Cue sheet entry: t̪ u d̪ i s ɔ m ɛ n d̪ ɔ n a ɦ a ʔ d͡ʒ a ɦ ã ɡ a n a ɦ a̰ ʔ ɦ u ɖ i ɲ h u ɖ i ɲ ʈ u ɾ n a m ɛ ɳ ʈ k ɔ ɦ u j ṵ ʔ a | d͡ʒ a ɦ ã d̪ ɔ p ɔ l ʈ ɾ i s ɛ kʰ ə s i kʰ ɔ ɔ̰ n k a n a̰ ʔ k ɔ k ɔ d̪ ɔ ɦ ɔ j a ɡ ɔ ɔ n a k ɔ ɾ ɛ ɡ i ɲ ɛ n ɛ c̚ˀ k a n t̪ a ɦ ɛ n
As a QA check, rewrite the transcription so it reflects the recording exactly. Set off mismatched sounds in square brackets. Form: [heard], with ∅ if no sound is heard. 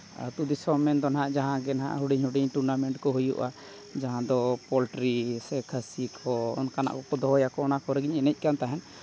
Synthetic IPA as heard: t̪ u d̪ i s ɔ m ɛ n d̪ ɔ n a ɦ a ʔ d͡ʒ a ɦ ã ɡ [ɛ] n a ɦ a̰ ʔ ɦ u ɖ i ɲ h u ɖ i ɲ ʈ u ɾ n a m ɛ ɳ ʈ k ɔ ɦ u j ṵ ʔ a | d͡ʒ a ɦ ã d̪ ɔ p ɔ l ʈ ɾ i s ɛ kʰ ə s i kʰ ɔ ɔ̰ n k a n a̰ ʔ k ɔ k ɔ d̪ ɔ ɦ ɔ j a [k] ɔ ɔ n a k ɔ ɾ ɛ ɡ i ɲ ɛ n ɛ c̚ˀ k a n t̪ a ɦ ɛ n